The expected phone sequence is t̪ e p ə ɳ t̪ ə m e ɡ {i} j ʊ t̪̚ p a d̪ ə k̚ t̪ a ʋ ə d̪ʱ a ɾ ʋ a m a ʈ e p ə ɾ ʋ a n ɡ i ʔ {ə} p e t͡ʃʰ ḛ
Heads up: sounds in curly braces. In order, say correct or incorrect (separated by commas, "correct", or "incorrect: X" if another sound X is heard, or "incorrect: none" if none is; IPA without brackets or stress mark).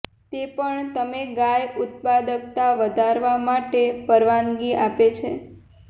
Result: incorrect: a, incorrect: a